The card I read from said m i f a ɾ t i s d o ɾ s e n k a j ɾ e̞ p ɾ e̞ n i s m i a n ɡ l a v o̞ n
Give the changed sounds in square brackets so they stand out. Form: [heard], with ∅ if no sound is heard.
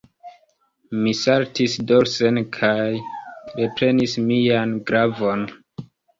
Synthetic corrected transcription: m i [s] a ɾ t i s d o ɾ s e n [kʰ] a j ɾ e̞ p ɾ e̞ n i s m i a n ɡ [ɾ] a v o̞ n

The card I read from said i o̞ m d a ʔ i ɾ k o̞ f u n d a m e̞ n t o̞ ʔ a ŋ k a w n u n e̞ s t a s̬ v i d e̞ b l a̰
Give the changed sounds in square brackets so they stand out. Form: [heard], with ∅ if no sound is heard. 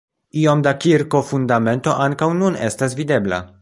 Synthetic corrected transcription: i o̞ m d a [k] i ɾ k o̞ f u n d a m e̞ n t o̞ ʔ a ŋ k a w n u n e̞ s t a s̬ v i d e̞ b l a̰

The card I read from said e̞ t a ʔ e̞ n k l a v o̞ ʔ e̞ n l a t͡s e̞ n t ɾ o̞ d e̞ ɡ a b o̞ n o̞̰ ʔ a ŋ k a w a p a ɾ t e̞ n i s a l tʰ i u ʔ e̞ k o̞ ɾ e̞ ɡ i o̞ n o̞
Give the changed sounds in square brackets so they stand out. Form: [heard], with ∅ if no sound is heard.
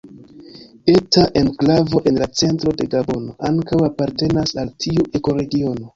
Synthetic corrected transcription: e̞ t a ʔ e̞ n k l a v o̞ ʔ e̞ n l a t͡s e̞ n t ɾ o̞ d e̞ ɡ a b o̞ n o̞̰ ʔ a ŋ k a w a p a ɾ t e̞ n [a] s a l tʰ i u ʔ e̞ k o̞ ɾ e̞ ɡ i o̞ n o̞

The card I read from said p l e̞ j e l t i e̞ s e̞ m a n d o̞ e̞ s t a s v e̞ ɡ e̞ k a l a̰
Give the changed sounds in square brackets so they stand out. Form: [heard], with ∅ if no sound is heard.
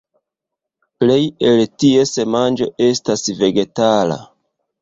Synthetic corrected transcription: p l e̞ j e l t i e̞ s e̞ m a n [d͡ʒ] o̞ e̞ s t a s v e̞ ɡ e̞ [t] a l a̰

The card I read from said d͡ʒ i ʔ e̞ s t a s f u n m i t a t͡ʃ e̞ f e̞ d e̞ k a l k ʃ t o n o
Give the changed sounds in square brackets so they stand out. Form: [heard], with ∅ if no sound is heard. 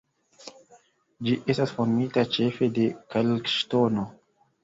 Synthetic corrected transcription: d͡ʒ i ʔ e̞ s t a s f [o] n m i t a t͡ʃ e̞ f e̞ d e̞ k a l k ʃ t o n o

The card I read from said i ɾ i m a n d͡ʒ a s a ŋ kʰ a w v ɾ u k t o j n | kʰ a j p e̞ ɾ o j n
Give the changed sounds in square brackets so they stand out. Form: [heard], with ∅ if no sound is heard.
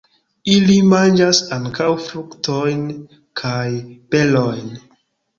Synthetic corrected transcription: i [l] i m a n d͡ʒ a s a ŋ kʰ a w [f] ɾ u k t o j n | kʰ a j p e̞ [l] o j n

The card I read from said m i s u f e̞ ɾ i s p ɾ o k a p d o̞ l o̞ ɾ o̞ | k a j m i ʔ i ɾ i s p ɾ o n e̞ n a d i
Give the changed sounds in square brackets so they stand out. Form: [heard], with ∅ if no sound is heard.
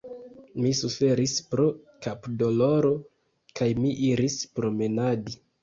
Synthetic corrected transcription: m i s u f e̞ ɾ i s p ɾ o k a p d o̞ l o̞ ɾ o̞ | k a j m i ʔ i ɾ i s p ɾ o [m] e̞ n a d i

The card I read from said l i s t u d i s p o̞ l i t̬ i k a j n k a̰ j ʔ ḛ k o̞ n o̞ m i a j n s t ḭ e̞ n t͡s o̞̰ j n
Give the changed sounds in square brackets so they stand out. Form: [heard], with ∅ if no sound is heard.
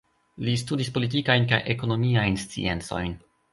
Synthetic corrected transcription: l i s t u d i s p o̞ l i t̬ i k a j n k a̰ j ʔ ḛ k o̞ n o̞ m i a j n s [t͡s] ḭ e̞ n t͡s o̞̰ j n

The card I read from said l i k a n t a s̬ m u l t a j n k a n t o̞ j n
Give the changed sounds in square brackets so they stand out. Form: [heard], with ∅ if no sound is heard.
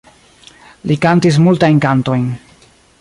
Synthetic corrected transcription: l i k a n t [i] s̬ m u l t a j n k a n t o̞ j n

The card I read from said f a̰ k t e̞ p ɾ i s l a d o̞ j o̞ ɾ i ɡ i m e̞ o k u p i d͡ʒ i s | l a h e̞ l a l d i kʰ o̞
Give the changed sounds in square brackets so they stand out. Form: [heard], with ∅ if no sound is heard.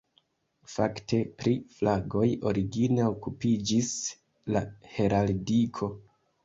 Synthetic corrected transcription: f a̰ k t e̞ p ɾ i [f] l a [ɡ] o̞ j o̞ ɾ i ɡ i [n] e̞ o k u p i d͡ʒ i s | l a h e̞ [ɾ] a l d i kʰ o̞

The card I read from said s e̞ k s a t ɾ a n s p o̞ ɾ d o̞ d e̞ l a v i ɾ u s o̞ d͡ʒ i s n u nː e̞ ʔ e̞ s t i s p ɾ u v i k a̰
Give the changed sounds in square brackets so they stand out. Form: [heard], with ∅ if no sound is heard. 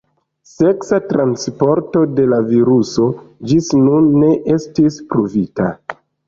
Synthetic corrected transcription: s e̞ k s a t ɾ a n s p o̞ ɾ [t] o̞ d e̞ l a v i ɾ u s o̞ d͡ʒ i s n u nː e̞ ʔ e̞ s t i s p ɾ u v i [t] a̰

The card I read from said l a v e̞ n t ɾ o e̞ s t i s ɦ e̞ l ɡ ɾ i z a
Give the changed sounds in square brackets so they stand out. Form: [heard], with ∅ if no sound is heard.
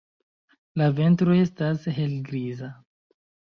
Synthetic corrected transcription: l a v e̞ n t ɾ o e̞ s t [a] s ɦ e̞ l ɡ ɾ i z a

